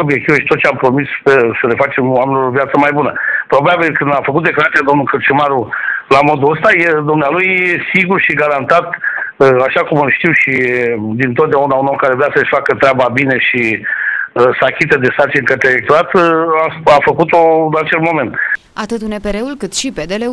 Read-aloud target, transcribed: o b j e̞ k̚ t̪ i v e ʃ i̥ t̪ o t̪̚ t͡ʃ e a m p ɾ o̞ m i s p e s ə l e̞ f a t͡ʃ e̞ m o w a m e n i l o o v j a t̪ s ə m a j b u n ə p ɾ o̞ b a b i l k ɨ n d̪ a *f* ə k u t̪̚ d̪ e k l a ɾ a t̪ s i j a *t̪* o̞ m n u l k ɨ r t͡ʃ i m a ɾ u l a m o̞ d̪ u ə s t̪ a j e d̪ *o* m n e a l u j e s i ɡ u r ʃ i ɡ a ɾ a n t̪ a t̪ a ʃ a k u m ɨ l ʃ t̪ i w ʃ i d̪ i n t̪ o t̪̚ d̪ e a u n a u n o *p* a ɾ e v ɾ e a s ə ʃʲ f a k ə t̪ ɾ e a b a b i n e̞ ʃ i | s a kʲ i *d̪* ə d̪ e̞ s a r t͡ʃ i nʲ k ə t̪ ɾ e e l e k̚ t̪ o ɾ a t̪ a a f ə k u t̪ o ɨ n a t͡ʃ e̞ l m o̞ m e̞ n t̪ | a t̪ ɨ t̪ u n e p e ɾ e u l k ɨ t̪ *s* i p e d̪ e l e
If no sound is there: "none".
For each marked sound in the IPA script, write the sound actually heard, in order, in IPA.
f, d̪, u, k, t̪, ʃ

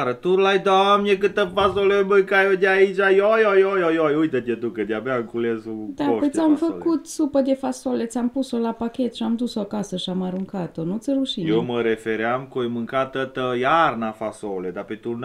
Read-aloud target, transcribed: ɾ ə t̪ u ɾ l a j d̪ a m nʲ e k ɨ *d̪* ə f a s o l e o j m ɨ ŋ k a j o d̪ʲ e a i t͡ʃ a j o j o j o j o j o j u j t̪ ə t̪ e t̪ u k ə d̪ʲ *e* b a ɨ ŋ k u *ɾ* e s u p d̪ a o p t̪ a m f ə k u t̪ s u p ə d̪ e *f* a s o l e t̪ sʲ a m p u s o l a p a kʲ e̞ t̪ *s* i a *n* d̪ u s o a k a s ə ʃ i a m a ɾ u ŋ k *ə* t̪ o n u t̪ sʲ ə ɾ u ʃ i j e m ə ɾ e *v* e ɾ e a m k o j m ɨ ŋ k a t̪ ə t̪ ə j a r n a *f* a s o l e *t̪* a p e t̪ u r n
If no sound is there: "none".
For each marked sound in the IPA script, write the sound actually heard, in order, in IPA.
t̪, a, l, f, ʃ, m, a, f, f, d̪

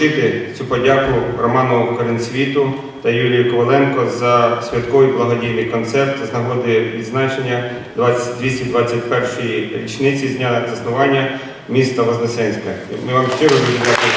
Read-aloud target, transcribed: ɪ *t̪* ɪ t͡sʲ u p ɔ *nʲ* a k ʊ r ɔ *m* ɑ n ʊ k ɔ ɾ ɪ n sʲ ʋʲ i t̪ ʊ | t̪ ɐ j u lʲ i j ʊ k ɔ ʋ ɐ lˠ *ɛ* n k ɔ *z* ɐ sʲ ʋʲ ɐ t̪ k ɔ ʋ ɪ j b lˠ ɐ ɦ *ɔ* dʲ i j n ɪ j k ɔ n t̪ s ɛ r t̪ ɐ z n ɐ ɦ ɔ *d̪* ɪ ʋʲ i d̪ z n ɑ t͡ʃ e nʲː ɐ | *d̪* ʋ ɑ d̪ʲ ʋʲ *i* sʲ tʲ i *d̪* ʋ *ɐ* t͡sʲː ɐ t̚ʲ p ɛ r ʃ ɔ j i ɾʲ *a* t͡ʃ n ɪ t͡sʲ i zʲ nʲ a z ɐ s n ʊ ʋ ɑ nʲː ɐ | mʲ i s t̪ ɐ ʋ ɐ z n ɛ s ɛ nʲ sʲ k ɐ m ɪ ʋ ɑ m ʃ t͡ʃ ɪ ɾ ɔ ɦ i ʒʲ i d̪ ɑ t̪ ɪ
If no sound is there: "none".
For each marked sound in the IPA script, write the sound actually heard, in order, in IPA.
t̪, dʲ, m, ɛ, z, ɔ, d̪, d̪, i, d̪, ɑ, i

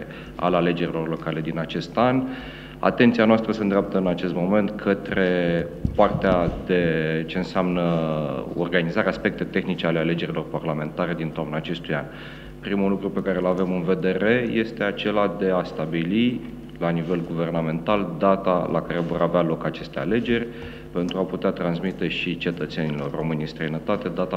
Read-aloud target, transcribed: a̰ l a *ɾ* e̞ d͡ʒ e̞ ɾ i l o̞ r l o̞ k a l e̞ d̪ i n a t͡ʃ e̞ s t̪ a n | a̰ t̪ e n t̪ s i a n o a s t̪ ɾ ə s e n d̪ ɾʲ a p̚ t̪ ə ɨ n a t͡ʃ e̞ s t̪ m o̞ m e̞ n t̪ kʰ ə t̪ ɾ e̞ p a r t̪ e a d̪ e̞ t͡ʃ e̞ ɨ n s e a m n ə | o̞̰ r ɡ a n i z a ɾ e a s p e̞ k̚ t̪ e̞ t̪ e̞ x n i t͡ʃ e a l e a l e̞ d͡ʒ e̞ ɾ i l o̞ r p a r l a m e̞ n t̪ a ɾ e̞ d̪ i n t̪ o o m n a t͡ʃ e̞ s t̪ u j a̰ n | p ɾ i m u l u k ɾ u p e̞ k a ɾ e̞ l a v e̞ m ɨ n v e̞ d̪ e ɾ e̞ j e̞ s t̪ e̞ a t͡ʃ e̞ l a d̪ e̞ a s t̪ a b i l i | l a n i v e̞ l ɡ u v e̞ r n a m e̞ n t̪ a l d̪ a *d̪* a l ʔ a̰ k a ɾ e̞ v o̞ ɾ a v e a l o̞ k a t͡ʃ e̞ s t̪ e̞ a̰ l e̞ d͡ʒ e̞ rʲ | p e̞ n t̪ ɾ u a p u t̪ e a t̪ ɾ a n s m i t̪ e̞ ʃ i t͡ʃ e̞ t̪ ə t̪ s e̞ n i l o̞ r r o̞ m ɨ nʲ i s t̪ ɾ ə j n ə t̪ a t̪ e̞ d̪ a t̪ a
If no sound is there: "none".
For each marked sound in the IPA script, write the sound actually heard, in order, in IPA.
l, t̪

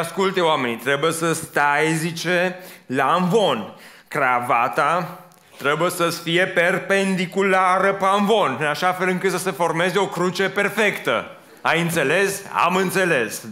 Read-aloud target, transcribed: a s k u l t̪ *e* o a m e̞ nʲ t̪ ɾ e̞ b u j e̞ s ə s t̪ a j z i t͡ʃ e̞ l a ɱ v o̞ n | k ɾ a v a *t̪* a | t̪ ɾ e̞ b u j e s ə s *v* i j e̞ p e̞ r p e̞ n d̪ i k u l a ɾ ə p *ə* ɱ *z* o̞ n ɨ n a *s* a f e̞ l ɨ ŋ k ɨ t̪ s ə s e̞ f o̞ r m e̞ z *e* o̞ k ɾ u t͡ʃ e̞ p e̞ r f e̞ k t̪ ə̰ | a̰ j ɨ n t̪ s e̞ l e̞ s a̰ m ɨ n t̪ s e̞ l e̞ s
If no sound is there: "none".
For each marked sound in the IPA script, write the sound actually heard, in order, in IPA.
e, t̪, f, a, v, ʃ, e

